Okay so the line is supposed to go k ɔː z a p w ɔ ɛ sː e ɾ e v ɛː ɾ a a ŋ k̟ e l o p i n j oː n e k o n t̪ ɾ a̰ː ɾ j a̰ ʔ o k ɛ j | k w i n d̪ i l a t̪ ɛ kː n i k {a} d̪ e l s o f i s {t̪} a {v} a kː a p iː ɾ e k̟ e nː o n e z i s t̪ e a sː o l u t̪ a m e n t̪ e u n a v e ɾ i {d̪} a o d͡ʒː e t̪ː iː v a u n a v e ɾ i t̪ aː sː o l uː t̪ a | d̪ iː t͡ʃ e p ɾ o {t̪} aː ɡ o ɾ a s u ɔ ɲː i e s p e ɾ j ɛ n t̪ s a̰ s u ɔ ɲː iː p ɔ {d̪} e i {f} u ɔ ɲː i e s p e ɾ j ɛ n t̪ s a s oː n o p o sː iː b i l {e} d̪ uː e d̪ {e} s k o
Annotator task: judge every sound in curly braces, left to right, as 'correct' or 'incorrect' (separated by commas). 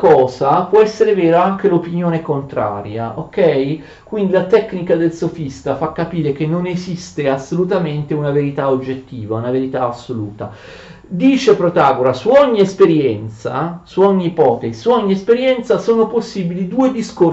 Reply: correct, correct, incorrect, incorrect, correct, incorrect, incorrect, incorrect, incorrect